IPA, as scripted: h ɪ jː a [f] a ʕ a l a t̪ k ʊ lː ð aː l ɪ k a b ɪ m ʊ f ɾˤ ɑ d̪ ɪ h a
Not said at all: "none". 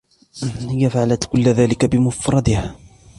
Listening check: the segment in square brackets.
f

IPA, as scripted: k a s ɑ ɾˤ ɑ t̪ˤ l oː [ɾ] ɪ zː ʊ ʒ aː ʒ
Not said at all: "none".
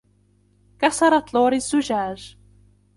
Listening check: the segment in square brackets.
ɾ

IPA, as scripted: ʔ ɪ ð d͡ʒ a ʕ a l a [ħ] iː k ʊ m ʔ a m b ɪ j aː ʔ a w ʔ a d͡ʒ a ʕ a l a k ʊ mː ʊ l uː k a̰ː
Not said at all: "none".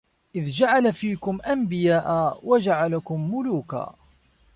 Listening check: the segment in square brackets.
f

